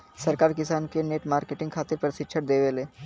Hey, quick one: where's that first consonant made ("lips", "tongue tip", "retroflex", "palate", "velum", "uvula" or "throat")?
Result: tongue tip